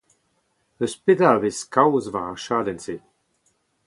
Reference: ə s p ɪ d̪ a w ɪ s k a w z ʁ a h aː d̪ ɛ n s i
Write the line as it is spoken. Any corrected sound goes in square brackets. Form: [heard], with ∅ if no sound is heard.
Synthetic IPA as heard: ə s p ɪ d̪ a [v] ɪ s k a w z [v] a [ʃ] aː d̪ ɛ n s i